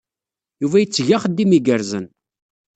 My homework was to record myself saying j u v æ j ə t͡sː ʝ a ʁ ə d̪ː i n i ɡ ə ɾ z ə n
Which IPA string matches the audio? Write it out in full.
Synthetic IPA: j u v æ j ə t͡sː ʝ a χ ə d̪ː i m i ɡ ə ɾ z ə n